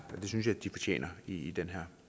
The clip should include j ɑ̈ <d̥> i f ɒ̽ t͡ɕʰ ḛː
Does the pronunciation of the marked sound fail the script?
no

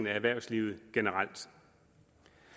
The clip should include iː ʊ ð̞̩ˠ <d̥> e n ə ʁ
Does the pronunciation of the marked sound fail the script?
yes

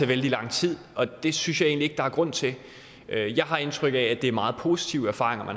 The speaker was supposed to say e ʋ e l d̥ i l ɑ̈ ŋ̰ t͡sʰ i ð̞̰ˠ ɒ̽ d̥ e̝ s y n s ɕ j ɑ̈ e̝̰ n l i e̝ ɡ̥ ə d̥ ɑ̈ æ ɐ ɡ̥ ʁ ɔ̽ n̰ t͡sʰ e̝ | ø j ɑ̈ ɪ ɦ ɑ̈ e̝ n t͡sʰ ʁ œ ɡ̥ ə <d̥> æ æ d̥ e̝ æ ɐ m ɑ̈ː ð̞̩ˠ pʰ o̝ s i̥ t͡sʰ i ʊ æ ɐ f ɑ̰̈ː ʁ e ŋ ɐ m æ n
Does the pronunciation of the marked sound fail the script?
yes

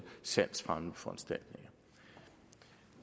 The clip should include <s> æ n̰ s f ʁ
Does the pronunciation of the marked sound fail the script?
no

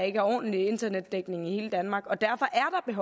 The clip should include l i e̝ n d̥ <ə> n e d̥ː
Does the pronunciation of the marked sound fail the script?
yes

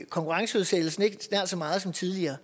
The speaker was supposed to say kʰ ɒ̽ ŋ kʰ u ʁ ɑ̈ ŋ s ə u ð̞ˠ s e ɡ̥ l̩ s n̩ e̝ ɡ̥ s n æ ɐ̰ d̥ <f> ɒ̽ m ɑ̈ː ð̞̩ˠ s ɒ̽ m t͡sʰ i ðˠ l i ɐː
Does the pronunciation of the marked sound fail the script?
yes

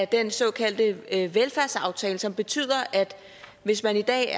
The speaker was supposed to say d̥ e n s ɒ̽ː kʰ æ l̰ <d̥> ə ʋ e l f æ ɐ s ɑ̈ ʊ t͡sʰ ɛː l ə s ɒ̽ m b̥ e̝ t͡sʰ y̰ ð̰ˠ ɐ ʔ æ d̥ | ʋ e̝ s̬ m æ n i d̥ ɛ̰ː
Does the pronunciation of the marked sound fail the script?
no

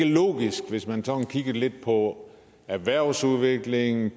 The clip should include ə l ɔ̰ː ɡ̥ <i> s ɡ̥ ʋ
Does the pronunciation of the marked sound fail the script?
no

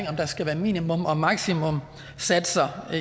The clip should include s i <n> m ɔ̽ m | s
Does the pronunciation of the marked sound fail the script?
yes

